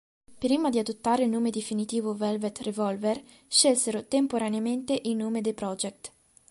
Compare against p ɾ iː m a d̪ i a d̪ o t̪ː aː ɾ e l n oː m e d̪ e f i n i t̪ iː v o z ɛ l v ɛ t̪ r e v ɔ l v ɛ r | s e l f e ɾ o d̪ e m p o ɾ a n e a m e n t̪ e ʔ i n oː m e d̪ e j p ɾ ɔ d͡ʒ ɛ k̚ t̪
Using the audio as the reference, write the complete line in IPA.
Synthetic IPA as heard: p ɾ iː m a d̪ i a d̪ o t̪ː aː ɾ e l n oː m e d̪ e f i n i t̪ iː v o v ɛ l v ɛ t̪ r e v ɔ l v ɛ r | ʃ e l s e ɾ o t̪ e m p o ɾ a n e a m e n t̪ e ʔ i n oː m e d̪ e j p ɾ ɔ d͡ʒ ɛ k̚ t̪